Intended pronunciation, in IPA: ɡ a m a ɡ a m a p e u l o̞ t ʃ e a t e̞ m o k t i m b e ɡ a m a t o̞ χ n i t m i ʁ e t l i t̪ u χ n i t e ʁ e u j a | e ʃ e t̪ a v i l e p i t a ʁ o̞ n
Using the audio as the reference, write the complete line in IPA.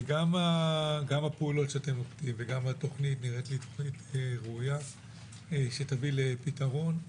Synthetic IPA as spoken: ɡ a m a ɡ a m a p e u l o̞ t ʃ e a t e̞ m o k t i m v e ɡ a m a t o̞ χ n i t n i ʁ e t l i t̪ o χ n i t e ʁ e u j a | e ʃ e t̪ a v i l e p i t a ʁ o̞ n